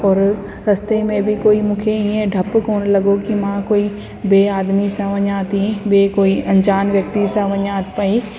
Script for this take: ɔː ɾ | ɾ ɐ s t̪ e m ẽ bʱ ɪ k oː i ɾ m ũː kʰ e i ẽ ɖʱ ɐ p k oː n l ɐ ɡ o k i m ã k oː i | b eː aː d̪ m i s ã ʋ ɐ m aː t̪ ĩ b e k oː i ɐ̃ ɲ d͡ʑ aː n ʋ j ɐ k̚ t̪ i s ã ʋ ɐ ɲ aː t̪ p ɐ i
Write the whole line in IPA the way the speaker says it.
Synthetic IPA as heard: ɔː ɾ | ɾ ɐ s t̪ e m ẽ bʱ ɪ k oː i m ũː kʰ e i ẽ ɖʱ ɐ p k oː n l ɐ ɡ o k i m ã k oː i | b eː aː d̪ m i s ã ʋ ɐ ɲ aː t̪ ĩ b e k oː i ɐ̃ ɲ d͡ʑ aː n ʋ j ɐ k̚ t̪ i s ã ʋ ɐ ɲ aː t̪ p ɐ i